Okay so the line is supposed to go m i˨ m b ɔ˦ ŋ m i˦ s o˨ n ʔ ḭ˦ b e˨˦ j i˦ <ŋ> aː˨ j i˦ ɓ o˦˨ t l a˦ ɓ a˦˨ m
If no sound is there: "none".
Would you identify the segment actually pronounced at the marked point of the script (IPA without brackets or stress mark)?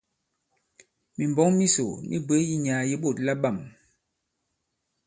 ɲ